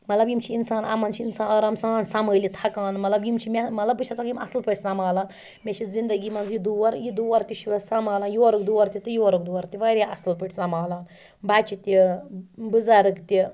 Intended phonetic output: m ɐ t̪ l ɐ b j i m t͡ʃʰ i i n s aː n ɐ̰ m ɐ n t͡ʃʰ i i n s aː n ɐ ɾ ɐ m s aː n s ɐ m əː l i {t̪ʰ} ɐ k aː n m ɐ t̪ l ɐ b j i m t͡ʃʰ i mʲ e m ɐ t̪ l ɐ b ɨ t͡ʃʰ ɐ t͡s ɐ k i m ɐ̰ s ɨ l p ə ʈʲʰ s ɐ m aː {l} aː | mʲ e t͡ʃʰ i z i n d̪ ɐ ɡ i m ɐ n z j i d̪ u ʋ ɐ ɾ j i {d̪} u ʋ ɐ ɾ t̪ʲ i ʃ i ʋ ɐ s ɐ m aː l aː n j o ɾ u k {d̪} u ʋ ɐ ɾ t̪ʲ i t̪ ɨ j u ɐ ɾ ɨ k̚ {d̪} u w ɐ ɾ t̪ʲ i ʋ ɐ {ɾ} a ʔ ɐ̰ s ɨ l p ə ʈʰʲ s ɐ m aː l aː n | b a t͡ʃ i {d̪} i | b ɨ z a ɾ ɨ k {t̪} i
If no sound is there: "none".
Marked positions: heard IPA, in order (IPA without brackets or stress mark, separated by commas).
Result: t̪ʰ, l, d̪, d̪, d̪, ɾ, t̪, t̪